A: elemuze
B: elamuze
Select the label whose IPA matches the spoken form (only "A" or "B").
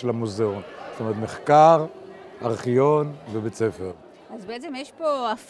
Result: B